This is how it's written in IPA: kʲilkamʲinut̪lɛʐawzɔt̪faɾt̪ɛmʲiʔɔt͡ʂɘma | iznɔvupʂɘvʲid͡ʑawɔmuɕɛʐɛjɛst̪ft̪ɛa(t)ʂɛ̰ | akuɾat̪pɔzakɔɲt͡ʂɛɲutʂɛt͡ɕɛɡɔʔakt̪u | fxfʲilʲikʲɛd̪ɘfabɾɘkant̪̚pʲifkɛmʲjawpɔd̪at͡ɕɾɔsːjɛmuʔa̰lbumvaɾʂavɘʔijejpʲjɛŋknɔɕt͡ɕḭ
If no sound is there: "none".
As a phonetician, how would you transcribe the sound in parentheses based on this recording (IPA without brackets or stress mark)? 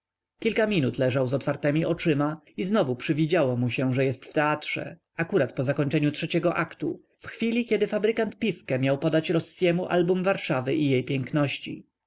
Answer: t